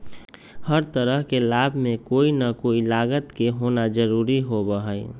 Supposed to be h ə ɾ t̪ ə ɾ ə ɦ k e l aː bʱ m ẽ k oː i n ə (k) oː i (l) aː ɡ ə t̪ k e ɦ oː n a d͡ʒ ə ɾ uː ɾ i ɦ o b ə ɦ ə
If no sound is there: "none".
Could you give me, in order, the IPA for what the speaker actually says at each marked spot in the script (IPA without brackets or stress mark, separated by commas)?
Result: k, l